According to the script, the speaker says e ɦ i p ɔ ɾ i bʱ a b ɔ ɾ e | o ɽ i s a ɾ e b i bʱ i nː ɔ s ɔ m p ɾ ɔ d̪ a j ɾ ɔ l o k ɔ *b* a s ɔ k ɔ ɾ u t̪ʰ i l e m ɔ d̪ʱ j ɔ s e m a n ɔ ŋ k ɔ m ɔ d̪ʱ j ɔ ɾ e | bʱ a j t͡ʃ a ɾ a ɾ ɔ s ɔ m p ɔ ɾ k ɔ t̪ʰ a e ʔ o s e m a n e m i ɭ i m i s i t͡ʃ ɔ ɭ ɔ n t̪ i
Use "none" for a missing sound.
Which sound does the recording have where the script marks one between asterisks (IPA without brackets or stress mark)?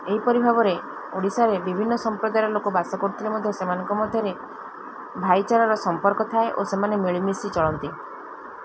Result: b